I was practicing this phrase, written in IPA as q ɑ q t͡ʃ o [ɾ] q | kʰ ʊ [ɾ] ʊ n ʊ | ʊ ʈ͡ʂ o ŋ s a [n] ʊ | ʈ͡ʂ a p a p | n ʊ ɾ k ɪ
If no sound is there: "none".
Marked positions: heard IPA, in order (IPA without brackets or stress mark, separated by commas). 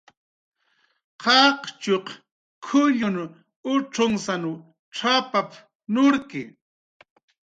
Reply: none, ʎ, n